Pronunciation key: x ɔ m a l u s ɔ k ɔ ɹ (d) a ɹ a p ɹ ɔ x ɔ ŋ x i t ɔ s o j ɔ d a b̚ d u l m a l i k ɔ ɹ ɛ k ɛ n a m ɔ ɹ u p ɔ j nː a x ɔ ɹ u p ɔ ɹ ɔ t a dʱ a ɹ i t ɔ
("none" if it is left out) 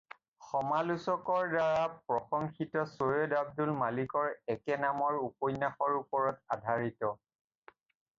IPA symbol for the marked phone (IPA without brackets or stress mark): d